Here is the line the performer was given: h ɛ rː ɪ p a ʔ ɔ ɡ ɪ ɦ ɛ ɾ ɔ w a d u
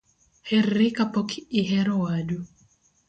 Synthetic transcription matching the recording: h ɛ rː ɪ k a p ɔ k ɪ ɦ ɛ ɾ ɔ w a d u

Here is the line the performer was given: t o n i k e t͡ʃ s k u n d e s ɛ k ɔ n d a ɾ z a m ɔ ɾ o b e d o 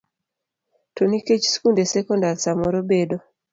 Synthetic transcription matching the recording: t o n i k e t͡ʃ s k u n d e s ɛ k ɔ n d a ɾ s a m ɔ ɾ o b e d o

